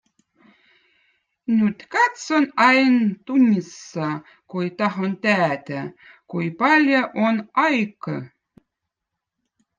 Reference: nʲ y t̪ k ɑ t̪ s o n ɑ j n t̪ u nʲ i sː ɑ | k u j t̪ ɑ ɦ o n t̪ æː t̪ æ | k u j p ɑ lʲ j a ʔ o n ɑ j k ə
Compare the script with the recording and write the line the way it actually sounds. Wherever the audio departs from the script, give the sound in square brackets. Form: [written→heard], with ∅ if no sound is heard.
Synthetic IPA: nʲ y t̪ k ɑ t̪ s o n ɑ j n t̪ u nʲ i sː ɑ | k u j t̪ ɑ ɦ o n t̪ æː t̪ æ | k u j p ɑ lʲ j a ʔ o n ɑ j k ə